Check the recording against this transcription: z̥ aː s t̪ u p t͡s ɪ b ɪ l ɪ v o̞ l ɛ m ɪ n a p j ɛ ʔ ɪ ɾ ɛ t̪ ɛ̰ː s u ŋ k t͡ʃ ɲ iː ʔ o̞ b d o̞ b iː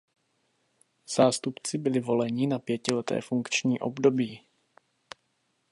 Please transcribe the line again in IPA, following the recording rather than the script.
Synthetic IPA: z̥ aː s t̪ u p t͡s ɪ b ɪ l ɪ v o̞ l ɛ ɲ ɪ n a p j ɛ c ɪ l ɛ t̪ ɛ̰ː f u ŋ k t͡ʃ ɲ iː ʔ o̞ b d o̞ b iː